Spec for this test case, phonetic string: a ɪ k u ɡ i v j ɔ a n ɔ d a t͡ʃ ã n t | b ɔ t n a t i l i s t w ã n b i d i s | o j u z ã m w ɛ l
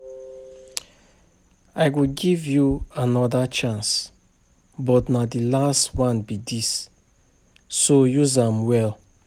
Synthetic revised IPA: a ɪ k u ɡ i v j u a n ɔ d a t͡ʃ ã n s | b ɔ t n a d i l a s t w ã n b i d i s | o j u z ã m w ɛ l